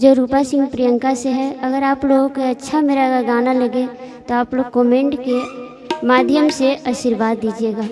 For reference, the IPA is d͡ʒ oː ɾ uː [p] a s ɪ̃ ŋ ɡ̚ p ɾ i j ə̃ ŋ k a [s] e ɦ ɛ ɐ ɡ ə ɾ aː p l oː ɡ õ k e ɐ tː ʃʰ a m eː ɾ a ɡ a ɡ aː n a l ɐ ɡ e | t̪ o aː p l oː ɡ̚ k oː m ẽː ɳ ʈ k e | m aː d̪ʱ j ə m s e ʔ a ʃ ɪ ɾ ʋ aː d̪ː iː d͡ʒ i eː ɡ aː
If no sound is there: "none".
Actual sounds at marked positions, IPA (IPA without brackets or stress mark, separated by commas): p, s